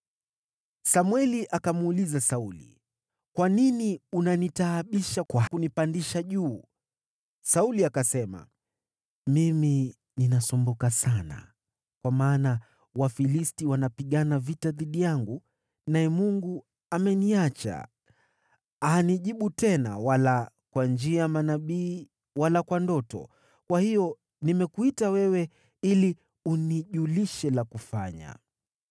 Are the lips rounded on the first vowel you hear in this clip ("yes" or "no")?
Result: no